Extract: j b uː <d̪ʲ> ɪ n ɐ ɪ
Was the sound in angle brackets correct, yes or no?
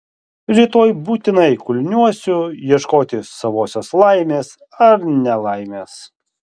no